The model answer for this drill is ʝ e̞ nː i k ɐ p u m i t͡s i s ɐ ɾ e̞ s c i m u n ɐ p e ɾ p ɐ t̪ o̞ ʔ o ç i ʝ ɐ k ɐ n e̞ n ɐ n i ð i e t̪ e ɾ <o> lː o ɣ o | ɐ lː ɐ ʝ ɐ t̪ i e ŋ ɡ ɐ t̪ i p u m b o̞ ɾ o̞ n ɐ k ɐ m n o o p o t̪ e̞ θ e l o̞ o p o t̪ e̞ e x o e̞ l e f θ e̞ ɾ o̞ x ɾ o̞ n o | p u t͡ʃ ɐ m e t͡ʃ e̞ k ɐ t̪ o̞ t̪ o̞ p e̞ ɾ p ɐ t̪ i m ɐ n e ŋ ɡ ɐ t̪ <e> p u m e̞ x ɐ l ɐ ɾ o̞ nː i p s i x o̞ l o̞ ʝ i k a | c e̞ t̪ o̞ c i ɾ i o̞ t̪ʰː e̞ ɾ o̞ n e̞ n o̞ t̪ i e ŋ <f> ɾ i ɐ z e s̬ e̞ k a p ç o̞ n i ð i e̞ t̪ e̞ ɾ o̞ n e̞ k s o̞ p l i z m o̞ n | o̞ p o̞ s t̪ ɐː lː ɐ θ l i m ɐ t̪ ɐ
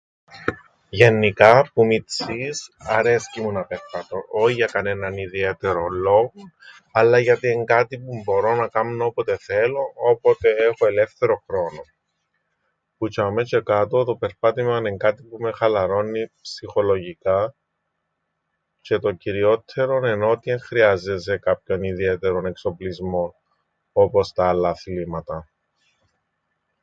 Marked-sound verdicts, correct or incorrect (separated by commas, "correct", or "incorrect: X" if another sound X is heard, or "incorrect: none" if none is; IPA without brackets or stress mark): correct, incorrect: i, incorrect: x